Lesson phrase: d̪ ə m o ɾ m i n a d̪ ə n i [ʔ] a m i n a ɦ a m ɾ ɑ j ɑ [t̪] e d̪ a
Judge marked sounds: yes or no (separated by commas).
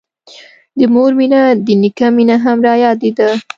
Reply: no, no